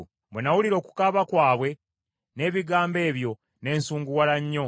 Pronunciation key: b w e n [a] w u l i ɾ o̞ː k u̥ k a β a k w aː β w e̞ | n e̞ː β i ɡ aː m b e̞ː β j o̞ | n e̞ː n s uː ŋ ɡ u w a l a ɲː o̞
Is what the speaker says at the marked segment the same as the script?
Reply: yes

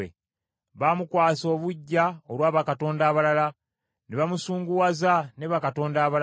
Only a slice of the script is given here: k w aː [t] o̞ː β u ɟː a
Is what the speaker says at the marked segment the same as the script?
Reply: no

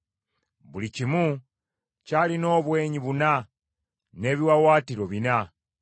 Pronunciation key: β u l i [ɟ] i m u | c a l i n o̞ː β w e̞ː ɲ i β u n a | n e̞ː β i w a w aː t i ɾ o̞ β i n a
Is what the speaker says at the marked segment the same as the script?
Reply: no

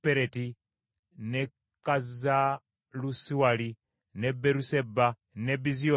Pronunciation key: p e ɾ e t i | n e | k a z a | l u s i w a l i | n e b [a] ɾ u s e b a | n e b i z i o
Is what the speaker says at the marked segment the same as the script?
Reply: no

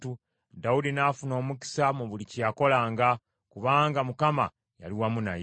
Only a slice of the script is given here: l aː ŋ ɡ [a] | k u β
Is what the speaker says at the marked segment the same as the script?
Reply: yes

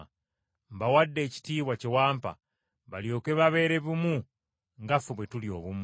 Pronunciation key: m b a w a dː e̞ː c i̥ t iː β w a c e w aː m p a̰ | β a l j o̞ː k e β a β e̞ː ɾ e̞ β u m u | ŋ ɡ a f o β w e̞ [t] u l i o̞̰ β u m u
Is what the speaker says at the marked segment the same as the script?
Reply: yes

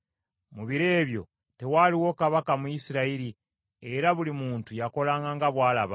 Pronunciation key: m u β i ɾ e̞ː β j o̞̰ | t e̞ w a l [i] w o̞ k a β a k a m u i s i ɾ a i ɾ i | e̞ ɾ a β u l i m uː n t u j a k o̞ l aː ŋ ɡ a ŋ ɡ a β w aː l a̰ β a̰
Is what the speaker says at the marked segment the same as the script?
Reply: yes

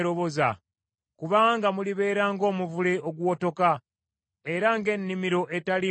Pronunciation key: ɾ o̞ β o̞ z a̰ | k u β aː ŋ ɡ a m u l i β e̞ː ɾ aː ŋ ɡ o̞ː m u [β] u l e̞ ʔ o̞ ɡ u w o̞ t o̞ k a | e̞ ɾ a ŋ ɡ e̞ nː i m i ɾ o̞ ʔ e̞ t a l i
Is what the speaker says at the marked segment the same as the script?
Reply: no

